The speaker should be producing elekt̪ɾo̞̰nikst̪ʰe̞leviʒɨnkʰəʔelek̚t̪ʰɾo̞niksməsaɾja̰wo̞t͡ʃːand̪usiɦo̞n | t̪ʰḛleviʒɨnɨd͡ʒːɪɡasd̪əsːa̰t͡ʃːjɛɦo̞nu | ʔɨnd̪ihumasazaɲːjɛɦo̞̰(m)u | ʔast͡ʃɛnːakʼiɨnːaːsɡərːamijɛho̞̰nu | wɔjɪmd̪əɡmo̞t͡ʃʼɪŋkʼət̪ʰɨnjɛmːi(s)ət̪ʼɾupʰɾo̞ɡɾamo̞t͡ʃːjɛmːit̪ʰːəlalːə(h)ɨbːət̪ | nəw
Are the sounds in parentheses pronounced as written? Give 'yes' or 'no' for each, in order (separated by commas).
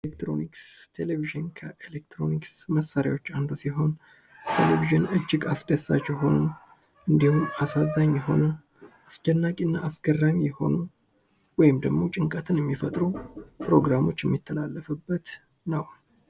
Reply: no, no, no